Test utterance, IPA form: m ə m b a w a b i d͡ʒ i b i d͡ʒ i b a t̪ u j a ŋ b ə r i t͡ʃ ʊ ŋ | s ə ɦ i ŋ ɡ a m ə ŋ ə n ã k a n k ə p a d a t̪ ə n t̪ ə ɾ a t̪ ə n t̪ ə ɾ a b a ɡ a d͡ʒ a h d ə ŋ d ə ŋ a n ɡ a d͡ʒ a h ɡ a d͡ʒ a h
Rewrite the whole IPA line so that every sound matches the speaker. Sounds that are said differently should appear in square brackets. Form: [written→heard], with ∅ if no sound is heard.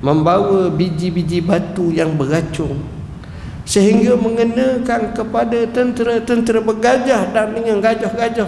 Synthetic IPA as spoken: m ə m b a w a b i d͡ʒ i b i d͡ʒ i b a t̪ u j a ŋ b ə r [i→a] t͡ʃ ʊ ŋ | s ə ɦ i ŋ ɡ a m ə ŋ ə n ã k a n k ə p a d a t̪ ə n t̪ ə ɾ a t̪ ə n t̪ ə ɾ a b [a→ə] ɡ a d͡ʒ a h d [ə→a] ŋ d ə ŋ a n ɡ a d͡ʒ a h ɡ a d͡ʒ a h